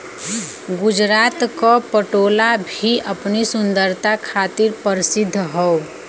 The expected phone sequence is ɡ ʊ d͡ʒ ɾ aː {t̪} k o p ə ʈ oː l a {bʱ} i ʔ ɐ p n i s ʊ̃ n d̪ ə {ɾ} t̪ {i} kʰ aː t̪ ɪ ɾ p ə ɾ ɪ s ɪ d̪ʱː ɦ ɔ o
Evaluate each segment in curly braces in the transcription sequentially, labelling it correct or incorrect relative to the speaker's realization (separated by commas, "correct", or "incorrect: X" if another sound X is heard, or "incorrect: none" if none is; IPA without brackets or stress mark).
correct, correct, correct, incorrect: a